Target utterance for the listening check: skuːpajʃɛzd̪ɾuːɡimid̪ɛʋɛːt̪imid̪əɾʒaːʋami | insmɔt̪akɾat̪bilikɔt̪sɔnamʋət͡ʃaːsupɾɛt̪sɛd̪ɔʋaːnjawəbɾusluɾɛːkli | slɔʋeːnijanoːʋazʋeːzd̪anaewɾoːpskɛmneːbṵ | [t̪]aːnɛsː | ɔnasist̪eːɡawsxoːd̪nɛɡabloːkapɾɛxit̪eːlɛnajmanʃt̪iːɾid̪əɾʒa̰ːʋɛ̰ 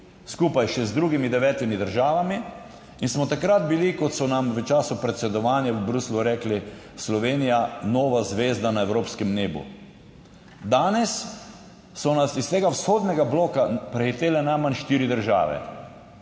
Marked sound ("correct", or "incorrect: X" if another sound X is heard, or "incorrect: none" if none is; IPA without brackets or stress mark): incorrect: d̪